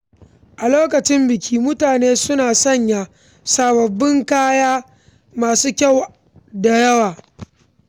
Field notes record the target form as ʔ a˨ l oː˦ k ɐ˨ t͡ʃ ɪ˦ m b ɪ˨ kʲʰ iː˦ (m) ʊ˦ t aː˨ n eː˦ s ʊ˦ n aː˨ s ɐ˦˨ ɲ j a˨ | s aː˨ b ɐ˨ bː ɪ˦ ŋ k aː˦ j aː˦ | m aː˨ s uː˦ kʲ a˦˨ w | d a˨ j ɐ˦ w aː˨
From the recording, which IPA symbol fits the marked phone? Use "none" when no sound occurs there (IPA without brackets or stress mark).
m